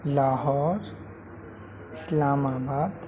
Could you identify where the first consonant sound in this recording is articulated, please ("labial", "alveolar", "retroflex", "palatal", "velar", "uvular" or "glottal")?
alveolar